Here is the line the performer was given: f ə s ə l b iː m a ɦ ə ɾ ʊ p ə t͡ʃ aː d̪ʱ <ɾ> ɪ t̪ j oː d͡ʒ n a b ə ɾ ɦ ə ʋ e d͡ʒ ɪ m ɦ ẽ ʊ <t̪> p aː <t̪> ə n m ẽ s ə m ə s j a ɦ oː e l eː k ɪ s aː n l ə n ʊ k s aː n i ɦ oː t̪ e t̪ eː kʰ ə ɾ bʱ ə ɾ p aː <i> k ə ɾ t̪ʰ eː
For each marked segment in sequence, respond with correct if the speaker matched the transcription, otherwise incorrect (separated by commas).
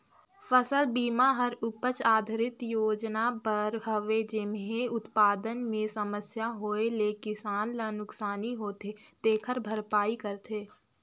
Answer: correct, correct, incorrect, correct